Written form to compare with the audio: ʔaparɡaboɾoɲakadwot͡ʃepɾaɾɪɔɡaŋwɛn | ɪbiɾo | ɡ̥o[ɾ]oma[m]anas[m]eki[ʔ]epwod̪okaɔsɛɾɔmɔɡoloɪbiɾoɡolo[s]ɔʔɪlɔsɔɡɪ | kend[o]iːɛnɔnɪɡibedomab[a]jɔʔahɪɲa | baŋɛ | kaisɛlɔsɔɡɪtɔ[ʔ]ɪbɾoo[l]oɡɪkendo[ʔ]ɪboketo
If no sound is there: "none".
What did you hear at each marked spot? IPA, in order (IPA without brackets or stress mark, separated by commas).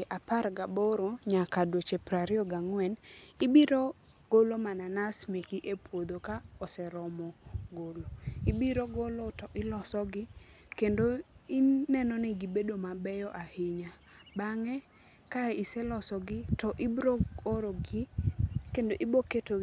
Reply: l, n, m, ʔ, t, o, ɛ, ʔ, ɾ, ʔ